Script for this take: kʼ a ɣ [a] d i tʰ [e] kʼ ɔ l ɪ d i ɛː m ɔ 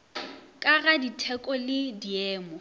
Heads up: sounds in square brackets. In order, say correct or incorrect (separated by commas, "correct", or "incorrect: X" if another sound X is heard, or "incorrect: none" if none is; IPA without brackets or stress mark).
correct, incorrect: ɛ